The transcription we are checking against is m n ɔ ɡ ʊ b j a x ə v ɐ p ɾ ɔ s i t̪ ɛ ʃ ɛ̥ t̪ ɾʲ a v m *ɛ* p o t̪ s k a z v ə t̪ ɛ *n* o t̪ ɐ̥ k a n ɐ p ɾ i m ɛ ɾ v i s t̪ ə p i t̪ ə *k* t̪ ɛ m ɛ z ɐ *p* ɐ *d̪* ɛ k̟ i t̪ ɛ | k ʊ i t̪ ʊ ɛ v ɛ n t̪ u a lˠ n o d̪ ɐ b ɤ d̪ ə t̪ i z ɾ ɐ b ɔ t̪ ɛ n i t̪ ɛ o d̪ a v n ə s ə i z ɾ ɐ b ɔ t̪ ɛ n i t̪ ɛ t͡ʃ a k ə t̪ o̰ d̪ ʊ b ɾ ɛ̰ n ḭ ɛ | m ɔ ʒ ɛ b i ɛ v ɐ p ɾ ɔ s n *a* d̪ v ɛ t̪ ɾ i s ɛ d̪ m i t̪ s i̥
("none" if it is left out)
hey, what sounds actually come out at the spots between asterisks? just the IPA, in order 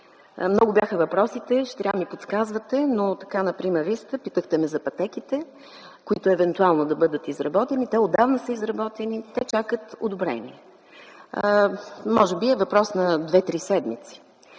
i, n, x, p, t̪, ɐ

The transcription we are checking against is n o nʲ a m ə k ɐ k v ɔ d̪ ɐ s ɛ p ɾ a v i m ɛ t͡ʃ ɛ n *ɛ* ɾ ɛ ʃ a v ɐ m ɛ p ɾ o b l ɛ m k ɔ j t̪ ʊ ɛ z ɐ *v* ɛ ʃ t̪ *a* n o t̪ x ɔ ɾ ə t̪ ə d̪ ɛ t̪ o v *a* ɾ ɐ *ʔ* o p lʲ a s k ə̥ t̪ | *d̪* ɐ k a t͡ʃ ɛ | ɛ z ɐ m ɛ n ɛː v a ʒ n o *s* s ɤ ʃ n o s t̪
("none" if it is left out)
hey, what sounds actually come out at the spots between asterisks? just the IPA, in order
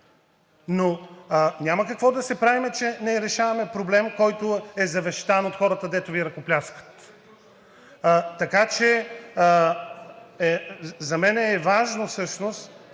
ɛ, v, a, i, k, t̪, f

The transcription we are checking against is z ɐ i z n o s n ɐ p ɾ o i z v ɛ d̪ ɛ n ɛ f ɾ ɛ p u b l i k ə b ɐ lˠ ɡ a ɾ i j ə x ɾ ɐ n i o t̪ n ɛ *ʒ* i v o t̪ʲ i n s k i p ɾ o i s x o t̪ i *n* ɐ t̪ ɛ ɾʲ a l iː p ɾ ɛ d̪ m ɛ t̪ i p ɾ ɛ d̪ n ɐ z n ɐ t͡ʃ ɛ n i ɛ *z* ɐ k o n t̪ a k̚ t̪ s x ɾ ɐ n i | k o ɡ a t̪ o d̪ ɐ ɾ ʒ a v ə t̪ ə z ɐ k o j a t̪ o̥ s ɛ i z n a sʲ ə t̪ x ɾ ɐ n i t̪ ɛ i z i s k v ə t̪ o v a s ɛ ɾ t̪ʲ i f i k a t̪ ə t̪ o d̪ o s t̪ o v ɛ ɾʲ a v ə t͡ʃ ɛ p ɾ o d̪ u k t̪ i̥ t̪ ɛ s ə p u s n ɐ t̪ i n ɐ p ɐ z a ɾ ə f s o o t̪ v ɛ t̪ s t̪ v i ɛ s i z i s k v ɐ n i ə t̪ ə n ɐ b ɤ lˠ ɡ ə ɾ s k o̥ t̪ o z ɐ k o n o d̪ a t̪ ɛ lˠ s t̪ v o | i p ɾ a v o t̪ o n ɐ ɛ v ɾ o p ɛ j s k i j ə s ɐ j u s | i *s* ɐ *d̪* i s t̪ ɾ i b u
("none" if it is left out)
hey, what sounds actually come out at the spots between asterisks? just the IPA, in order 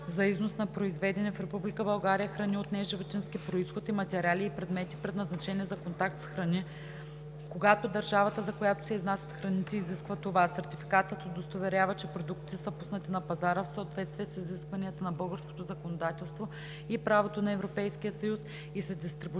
ʒ, m, z, s, d̪

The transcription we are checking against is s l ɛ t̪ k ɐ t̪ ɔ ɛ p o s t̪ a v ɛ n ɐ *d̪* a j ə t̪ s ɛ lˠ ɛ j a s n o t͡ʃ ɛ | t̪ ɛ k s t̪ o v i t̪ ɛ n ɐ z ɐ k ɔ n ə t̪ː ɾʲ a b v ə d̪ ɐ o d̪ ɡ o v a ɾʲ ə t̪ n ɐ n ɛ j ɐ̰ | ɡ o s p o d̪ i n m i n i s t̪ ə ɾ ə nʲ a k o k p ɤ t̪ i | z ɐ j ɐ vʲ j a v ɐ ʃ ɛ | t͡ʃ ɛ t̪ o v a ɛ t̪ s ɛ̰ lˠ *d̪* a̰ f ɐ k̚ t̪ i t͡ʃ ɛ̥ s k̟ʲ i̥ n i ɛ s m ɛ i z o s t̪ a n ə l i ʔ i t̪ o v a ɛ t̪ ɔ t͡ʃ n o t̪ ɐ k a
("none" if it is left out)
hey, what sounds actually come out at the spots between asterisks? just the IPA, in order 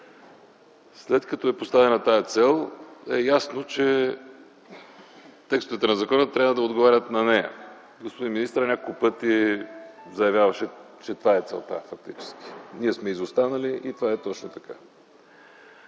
t̪, t̪

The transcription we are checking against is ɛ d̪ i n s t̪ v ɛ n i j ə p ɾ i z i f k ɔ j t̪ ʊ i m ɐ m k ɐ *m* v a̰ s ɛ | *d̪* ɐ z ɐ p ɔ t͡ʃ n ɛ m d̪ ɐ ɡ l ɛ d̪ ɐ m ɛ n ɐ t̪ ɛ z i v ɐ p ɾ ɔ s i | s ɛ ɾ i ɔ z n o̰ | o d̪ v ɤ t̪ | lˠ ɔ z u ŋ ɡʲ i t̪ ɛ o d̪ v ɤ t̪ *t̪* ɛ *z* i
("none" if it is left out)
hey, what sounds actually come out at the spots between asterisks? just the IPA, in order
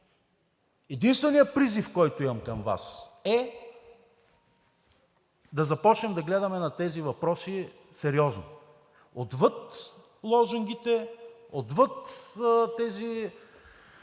m, d̪, t̪, z

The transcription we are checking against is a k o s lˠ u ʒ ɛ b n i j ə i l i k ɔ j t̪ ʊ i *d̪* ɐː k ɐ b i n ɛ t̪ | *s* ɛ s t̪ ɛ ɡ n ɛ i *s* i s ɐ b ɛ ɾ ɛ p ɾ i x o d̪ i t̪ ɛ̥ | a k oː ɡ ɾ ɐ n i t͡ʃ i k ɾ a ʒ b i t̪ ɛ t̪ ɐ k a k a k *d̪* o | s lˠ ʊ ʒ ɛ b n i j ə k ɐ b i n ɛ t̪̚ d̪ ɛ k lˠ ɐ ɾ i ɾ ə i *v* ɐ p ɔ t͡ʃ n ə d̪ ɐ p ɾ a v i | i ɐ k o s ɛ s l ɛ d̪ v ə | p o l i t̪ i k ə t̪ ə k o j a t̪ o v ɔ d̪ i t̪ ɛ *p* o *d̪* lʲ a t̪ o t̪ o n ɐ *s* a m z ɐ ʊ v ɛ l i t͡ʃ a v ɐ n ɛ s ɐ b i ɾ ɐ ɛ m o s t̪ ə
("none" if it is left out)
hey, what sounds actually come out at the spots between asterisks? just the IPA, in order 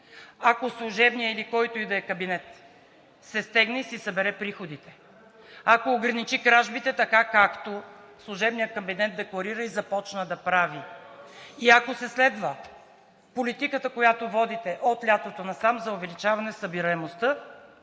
d̪, s, s, t̪, z, ʔ, t̪, s

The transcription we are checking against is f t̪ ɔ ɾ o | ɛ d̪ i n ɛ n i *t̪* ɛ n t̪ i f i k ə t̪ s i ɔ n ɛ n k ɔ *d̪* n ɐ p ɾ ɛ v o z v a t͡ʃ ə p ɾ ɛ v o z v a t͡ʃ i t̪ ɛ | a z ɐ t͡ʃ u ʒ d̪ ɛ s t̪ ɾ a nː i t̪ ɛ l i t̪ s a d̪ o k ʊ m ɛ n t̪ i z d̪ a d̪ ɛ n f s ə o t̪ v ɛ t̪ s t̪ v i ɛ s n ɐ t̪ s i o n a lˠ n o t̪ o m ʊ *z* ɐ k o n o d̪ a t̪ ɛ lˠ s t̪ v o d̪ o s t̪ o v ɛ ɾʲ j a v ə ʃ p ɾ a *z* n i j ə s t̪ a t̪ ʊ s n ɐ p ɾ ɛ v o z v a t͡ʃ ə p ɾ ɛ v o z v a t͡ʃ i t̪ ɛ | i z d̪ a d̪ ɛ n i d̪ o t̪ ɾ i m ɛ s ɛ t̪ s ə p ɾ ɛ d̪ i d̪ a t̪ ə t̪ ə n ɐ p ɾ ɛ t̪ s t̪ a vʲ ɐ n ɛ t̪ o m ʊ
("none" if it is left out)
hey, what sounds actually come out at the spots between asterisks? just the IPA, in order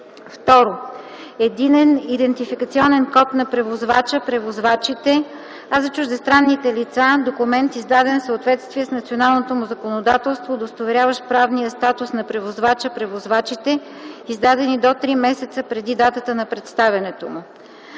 d̪, t̪, z, v

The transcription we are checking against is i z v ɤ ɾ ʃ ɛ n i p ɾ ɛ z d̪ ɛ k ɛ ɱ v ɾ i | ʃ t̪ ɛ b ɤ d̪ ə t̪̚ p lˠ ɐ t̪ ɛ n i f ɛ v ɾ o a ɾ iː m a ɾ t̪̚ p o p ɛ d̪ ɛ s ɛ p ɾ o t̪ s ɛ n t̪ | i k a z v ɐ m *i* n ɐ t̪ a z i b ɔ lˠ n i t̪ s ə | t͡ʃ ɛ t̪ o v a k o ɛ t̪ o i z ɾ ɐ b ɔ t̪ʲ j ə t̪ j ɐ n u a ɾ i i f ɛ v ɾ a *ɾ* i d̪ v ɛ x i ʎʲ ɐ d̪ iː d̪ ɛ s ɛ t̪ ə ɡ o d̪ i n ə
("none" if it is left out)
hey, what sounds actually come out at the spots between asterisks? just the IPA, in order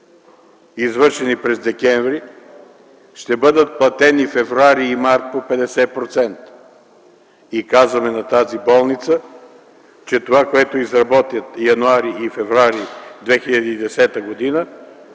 ɛ, ɾ

